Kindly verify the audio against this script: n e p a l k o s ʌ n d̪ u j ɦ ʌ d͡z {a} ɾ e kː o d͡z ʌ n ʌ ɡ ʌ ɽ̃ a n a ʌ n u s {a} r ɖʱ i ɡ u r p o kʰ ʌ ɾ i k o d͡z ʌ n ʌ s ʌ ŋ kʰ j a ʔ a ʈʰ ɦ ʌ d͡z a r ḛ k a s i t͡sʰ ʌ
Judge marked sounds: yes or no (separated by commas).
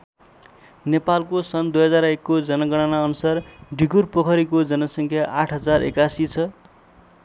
yes, yes